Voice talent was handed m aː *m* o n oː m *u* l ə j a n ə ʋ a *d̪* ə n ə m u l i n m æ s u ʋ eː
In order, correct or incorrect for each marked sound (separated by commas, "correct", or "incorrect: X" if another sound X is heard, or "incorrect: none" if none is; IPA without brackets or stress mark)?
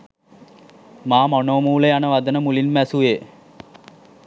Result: correct, incorrect: uː, correct